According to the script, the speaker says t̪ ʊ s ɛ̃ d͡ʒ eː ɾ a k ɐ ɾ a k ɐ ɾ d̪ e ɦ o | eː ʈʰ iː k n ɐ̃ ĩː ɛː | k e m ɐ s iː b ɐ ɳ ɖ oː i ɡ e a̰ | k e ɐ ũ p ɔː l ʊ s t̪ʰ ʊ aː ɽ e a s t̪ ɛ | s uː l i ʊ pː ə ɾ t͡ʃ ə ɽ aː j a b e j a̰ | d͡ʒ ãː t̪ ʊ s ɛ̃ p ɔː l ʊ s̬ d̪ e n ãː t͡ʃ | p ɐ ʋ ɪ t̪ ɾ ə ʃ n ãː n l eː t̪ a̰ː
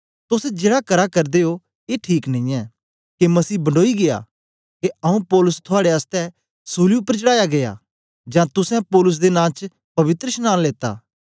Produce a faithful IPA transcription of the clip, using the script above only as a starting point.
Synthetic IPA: t̪ ʊ s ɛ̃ d͡ʒ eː ɽ a k ɐ ɾ a k ɐ ɾ d̪ e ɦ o | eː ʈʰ iː k n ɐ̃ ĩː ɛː | k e m ɐ s iː b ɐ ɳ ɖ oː i ɡ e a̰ | k e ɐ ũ p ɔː l ʊ s t̪ʰ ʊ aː ɽ e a s t̪ ɛ | s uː l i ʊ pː ə ɾ t͡ʃ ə ɽ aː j a ɡ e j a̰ | d͡ʒ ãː t̪ ʊ s ɛ̃ p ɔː l ʊ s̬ d̪ e n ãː t͡ʃ | p ɐ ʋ ɪ t̪ ɾ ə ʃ n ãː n l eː t̪ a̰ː